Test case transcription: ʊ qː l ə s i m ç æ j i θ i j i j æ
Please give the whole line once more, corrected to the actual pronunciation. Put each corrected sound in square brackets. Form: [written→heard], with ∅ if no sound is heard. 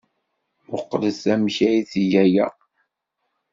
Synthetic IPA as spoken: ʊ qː l ə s [i→æ] m ç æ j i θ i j [i→æ] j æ